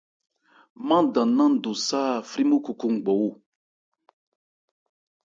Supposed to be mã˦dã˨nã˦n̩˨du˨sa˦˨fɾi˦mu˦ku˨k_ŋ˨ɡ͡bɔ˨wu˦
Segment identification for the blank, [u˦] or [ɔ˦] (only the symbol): u˦